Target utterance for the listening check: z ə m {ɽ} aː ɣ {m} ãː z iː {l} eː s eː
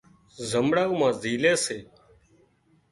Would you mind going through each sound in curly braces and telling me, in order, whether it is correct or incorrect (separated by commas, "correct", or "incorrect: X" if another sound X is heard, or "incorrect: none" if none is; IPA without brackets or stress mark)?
correct, correct, correct